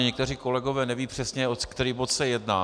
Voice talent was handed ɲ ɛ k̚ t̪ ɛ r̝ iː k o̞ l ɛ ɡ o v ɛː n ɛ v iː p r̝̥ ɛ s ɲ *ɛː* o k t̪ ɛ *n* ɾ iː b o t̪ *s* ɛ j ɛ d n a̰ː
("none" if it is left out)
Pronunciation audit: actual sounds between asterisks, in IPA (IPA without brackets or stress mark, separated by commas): ɛ, none, s